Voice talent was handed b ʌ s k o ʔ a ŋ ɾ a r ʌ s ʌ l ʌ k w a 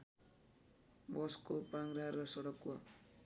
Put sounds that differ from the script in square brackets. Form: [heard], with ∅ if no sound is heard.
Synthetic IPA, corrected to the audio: b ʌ s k o [p] a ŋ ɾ a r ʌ s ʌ [ɽ] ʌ k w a